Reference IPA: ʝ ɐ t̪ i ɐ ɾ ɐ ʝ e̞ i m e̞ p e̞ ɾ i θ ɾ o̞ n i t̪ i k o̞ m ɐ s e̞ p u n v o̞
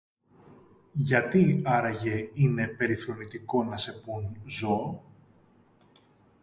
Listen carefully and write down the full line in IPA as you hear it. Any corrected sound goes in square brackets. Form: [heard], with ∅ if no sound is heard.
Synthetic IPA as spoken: ʝ ɐ t̪ i ɐ ɾ ɐ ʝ e̞ i [n] e̞ p e̞ ɾ i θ ɾ o̞ n i t̪ i k o̞ [n] ɐ s e̞ p u n [z] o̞